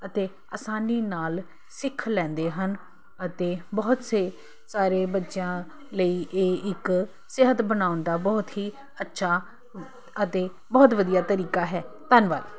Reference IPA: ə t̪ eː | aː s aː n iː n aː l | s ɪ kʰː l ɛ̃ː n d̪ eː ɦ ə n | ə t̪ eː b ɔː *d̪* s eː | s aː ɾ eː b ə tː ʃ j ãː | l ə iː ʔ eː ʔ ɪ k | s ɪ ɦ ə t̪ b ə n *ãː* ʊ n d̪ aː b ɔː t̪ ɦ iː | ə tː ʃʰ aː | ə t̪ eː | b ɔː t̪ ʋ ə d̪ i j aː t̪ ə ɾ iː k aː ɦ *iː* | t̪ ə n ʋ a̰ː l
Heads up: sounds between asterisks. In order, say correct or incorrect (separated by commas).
incorrect, incorrect, incorrect